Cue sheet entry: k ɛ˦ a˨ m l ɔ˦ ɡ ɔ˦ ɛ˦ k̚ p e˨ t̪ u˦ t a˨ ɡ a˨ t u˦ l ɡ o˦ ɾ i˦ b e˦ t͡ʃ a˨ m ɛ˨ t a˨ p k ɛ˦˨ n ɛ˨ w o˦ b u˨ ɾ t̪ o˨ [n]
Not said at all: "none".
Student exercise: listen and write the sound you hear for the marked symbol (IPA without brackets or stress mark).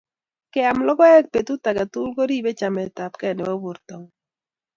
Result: ŋ